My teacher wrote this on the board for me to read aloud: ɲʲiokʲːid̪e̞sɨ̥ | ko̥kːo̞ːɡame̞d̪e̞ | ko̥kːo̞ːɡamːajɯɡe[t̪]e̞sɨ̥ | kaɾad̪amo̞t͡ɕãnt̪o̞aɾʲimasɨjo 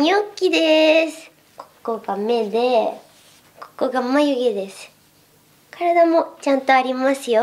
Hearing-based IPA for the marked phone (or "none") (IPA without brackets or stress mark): d̪